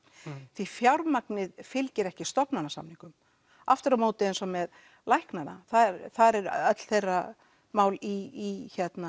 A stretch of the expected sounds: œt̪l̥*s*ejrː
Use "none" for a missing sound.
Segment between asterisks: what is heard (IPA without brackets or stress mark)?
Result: θ